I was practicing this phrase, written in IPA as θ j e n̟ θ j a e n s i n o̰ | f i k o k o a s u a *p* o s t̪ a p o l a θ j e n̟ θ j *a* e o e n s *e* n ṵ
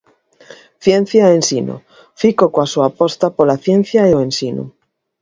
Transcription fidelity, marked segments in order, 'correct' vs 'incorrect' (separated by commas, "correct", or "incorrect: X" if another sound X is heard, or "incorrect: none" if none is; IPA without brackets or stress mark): correct, correct, incorrect: i